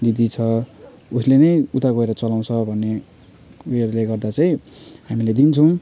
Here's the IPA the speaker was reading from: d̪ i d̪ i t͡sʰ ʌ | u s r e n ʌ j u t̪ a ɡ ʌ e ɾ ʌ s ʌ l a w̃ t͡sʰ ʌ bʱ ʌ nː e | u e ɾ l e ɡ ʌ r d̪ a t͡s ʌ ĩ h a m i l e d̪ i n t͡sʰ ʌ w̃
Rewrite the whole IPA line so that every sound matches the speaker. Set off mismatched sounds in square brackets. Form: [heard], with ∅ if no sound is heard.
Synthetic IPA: d̪ i d̪ i t͡sʰ ʌ | u s [l] e n ʌ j u t̪ a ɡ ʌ e ɾ ʌ [t͡s] ʌ l a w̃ t͡sʰ ʌ bʱ ʌ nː e | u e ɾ l e ɡ ʌ r d̪ a t͡s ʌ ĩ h a m i l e d̪ i n t͡sʰ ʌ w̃